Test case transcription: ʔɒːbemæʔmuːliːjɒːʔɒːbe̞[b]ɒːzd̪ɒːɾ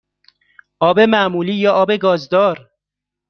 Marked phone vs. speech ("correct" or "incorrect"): incorrect